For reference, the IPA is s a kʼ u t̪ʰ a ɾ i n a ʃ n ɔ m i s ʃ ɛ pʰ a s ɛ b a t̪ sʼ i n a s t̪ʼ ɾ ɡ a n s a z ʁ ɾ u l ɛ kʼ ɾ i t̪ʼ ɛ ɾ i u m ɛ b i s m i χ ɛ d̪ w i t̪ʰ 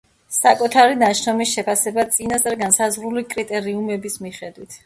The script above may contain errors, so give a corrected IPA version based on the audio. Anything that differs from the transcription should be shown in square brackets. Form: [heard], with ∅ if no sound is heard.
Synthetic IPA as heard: s a kʼ u t̪ʰ a ɾ i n a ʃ n ɔ m i s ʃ ɛ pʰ a s ɛ b a t̪ sʼ i n a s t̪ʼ ɾ ɡ a n s a z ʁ ɾ u l [i] kʼ ɾ i t̪ʼ ɛ ɾ i u m ɛ b i s m i χ ɛ d̪ w i t̪ʰ